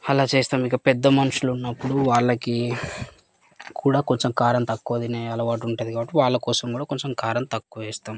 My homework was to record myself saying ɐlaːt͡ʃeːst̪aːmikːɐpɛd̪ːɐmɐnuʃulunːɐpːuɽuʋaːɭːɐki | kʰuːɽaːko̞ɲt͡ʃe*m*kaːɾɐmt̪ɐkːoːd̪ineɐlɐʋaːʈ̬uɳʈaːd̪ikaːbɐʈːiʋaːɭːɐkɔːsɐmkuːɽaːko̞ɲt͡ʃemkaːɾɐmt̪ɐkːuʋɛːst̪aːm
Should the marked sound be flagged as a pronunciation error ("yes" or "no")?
no